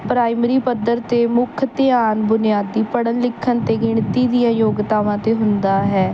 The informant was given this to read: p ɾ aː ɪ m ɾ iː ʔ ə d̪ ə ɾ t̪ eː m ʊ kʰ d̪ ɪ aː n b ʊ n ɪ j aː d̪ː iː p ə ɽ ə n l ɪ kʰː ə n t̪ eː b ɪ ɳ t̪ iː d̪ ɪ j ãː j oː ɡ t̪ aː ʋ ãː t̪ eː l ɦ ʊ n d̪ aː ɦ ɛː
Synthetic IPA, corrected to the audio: p ɾ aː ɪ m ɾ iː p ə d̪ ə ɾ t̪ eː m ʊ kʰ t̪ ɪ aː n b ʊ n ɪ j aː d̪ː iː p ə ɽ ə n l ɪ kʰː ə n t̪ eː ɡ ɪ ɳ t̪ iː d̪ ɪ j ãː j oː ɡ t̪ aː ʋ ãː t̪ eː ɦ ʊ n d̪ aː ɦ ɛː